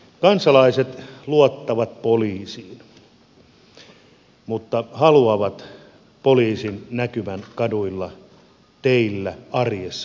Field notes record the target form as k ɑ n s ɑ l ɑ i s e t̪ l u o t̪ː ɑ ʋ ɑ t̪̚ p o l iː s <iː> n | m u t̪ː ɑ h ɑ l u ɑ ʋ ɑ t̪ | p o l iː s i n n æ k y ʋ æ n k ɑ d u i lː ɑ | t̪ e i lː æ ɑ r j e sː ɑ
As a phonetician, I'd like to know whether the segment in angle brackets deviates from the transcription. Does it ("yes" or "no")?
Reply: no